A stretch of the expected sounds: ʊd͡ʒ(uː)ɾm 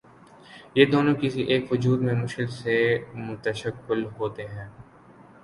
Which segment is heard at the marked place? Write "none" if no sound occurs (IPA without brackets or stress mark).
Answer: uː